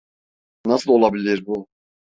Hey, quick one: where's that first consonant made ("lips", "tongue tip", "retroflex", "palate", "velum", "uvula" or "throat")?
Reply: tongue tip